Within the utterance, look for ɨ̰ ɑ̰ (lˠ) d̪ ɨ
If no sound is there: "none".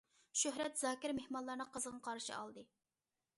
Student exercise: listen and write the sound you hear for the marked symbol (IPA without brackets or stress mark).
lˠ